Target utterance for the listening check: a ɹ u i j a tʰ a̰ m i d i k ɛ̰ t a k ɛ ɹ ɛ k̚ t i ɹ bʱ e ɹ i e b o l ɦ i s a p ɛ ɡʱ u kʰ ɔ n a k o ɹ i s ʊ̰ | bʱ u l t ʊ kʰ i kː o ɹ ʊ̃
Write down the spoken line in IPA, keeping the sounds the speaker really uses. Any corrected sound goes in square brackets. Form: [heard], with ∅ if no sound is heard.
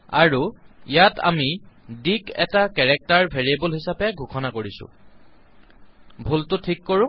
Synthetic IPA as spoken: a ɹ u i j a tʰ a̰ m i d i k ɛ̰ t a k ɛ ɹ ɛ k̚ t [a] ɹ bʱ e ɹ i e b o l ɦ i s a p ɛ ɡʱ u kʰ ɔ n a k o ɹ i s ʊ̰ | bʱ u l t ʊ [tʰ] i kː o ɹ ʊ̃